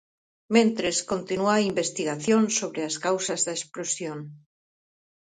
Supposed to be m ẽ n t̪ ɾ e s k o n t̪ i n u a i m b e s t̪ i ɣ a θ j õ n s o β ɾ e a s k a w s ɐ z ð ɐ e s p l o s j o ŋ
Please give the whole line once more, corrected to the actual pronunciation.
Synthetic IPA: m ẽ n t̪ ɾ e s k o n t̪ i n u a i m b e s t̪ i ɣ a θ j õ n s o β ɾ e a s k a w s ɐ z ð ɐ e s p l o s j o ŋ